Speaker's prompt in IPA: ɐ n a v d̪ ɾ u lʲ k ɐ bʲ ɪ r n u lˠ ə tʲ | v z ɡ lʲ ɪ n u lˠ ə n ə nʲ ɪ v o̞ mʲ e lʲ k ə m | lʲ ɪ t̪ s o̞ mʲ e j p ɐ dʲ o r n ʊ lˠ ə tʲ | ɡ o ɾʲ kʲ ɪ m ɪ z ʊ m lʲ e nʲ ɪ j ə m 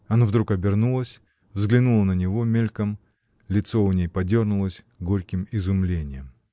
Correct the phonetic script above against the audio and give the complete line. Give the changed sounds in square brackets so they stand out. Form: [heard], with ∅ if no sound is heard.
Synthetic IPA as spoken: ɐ n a v d̪ ɾ u [∅] k ɐ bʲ ɪ r n u lˠ ə [sʲ] | v z ɡ lʲ ɪ n u lˠ ə n ə nʲ ɪ v o̞ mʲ e lʲ k ə m | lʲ ɪ t̪ s o̞ [nʲ] e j p ɐ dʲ o r n ʊ lˠ ə [sʲ] | ɡ o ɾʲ kʲ ɪ m ɪ z ʊ m lʲ e nʲ ɪ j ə m

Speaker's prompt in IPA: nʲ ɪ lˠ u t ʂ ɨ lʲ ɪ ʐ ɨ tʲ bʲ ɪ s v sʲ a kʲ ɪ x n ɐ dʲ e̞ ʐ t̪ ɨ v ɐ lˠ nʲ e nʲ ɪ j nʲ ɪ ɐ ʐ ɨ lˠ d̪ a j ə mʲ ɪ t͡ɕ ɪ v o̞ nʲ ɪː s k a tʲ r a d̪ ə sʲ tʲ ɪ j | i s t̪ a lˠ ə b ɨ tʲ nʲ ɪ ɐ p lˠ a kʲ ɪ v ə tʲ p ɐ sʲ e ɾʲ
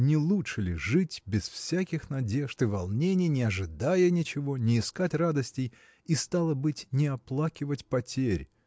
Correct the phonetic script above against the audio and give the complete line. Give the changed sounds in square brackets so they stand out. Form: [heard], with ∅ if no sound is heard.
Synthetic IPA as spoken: nʲ ɪ lˠ u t ʂ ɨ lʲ ɪ ʐ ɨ tʲ bʲ ɪ s [f] sʲ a kʲ ɪ x n ɐ dʲ e̞ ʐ t̪ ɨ v ɐ lˠ nʲ e nʲ ɪ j nʲ ɪ ɐ ʐ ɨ [∅] d̪ a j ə [nʲ] ɪ t͡ɕ ɪ v o̞ nʲ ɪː s k a tʲ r a d̪ ə sʲ tʲ ɪ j | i s t̪ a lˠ ə b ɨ tʲ nʲ ɪ ɐ p lˠ a kʲ ɪ v ə tʲ p ɐ [tʲ] e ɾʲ

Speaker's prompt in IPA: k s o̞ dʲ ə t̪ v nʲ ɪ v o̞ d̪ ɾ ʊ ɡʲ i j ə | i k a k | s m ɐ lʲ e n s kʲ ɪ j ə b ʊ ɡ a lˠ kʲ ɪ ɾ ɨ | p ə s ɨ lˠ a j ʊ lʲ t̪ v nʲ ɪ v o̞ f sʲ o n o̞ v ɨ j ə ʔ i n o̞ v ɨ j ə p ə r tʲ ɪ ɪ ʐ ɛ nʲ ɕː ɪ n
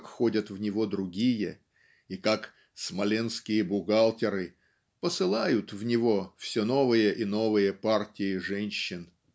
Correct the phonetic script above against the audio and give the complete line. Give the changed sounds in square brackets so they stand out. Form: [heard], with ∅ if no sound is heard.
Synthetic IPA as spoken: k [x] o̞ dʲ ə t̪ v nʲ ɪ v o̞ d̪ ɾ ʊ ɡʲ i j ə | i k a k | s m ɐ lʲ e n s kʲ ɪ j ə b ʊ ɡ a lˠ [tʲ] ɪ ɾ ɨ | p ə s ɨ lˠ a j ʊ [∅] t̪ v nʲ ɪ v o̞ f sʲ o n o̞ v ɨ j ə ʔ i n o̞ v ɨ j ə p [a] r tʲ ɪ ɪ ʐ ɛ nʲ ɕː ɪ n

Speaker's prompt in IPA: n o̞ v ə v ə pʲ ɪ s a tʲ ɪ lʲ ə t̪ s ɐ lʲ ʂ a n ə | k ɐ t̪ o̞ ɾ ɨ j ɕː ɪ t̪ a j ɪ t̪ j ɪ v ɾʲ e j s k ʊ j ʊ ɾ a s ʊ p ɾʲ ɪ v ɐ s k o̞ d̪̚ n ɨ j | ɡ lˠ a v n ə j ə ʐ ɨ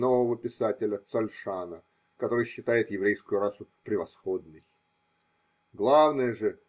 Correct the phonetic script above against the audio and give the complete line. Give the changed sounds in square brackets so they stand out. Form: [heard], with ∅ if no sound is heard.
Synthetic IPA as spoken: n o̞ v ə v ə pʲ ɪ s a tʲ ɪ lʲ ə t̪ s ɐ lʲ ʂ a n ə | k ɐ t̪ o̞ ɾ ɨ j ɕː ɪ t̪ a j ɪ t̪ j ɪ v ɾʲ e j s k ʊ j ʊ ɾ a s ʊ p ɾʲ ɪ v ɐ s [x] o̞ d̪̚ n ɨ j | ɡ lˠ a v n ə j ə ʐ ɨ

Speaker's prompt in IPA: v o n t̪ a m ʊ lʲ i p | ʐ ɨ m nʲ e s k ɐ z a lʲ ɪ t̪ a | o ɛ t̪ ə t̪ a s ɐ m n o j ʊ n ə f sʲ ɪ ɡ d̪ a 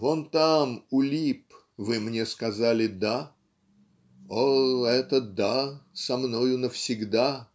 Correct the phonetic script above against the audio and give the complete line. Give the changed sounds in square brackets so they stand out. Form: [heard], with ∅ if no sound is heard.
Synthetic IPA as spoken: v o n t̪ a m ʊ lʲ i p | [v] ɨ m nʲ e s k ɐ z a lʲ ɪ [d̪] a | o ɛ t̪ ə [d̪] a s ɐ m n o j ʊ n ə f sʲ ɪ ɡ d̪ a

